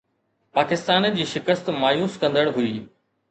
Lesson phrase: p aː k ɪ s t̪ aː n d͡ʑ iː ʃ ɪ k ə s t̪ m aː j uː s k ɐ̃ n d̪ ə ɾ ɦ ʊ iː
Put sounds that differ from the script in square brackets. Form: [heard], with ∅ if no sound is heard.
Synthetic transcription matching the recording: p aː k ɪ s t̪ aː n d͡ʑ iː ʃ ɪ k ə s t̪ m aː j uː s k ɐ̃ n d̪ ə [ɽ] ɦ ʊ iː